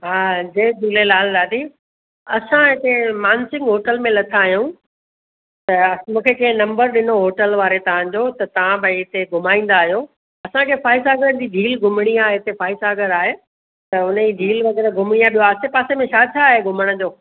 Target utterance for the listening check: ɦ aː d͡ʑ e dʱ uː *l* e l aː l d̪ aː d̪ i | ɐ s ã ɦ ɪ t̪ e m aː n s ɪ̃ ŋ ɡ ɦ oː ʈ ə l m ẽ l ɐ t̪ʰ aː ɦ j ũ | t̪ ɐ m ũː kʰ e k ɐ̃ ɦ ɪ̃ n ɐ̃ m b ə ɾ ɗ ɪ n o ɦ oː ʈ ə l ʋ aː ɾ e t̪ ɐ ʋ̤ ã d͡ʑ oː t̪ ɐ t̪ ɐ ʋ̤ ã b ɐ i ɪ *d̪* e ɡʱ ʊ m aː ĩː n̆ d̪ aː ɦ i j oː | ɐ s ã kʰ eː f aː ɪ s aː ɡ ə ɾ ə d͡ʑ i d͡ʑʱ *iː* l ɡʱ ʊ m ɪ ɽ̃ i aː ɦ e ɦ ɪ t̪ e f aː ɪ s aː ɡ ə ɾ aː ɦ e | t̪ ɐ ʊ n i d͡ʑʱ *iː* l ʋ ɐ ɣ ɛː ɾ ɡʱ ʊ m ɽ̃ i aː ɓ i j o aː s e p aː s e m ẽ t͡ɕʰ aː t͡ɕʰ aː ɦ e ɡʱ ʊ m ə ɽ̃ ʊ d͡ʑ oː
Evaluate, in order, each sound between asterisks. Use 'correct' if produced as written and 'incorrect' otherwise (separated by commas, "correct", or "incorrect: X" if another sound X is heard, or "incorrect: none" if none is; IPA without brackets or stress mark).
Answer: correct, incorrect: t̪, correct, correct